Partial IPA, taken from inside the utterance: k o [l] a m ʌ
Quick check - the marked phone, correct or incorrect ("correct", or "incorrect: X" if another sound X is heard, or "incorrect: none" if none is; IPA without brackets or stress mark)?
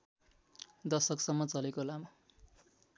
correct